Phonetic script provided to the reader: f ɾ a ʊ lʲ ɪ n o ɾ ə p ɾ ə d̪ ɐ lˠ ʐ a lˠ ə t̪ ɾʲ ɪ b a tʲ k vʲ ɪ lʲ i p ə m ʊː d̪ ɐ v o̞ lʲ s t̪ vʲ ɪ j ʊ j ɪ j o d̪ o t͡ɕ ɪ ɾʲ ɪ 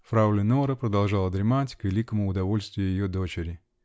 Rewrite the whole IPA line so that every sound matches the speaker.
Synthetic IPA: f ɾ a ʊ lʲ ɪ n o ɾ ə p ɾ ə d̪ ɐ lˠ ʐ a lˠ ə d̪ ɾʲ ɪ m a tʲ k vʲ ɪ lʲ i k ə m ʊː d̪ ɐ v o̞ lʲ s t̪ vʲ ɪ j ʊ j ɪ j o d̪ o t͡ɕ ɪ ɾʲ ɪ